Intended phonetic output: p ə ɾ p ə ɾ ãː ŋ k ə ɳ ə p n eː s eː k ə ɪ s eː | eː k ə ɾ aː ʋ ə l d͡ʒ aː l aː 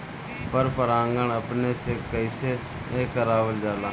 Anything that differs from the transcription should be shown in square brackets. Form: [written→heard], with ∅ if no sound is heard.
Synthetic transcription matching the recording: p ə ɾ p ə ɾ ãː ŋ [k→ɡ] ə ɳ ə p n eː s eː k ə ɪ s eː | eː k ə ɾ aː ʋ ə l d͡ʒ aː l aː